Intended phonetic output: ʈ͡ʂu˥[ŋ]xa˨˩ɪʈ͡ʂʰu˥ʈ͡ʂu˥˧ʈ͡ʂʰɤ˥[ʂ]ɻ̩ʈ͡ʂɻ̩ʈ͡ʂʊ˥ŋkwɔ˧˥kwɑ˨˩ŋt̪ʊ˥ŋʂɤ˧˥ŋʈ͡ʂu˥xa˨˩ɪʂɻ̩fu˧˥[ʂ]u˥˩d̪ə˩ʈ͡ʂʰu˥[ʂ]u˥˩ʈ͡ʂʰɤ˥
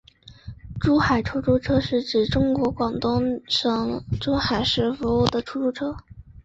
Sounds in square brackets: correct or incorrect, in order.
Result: incorrect, correct, incorrect, incorrect

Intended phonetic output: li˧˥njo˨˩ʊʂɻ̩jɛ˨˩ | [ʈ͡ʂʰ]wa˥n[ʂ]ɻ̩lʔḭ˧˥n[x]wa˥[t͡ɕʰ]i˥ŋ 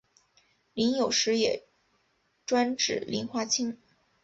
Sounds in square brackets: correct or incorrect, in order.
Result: incorrect, incorrect, correct, correct

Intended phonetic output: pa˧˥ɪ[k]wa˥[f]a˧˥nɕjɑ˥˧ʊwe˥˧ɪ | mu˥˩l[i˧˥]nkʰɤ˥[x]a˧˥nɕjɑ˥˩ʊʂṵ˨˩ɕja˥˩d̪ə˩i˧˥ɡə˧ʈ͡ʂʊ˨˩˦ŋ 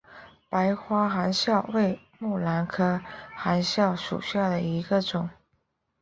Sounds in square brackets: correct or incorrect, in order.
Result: incorrect, incorrect, incorrect, correct

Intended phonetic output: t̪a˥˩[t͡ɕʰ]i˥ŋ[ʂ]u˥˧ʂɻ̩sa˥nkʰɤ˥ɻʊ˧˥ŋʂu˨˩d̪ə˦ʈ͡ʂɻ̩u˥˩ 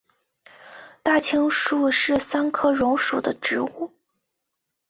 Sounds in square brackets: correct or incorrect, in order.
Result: correct, correct

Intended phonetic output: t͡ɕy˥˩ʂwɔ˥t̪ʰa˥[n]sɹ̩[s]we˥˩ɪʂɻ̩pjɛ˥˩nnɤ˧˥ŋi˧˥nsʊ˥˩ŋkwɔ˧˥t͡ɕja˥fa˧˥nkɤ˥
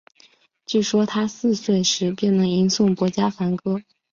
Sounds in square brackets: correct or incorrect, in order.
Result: incorrect, correct

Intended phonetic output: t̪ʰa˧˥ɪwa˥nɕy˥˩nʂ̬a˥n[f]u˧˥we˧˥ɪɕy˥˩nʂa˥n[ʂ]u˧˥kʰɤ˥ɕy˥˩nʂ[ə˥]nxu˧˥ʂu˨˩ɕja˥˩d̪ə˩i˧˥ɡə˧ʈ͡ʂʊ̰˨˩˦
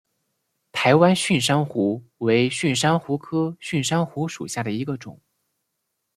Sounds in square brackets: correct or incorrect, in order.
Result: incorrect, incorrect, incorrect

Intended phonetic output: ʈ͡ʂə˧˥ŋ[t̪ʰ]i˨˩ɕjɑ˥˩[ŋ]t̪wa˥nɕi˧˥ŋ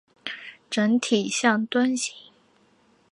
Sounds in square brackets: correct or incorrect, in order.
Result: correct, correct

